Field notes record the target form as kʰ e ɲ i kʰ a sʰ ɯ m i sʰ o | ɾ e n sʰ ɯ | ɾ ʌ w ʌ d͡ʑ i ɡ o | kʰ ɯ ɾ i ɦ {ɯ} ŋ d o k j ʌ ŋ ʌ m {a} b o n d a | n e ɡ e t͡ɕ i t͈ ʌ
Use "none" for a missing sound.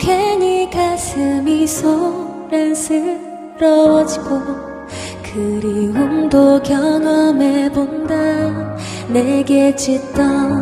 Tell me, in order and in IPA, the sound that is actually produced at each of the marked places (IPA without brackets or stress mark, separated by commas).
u, e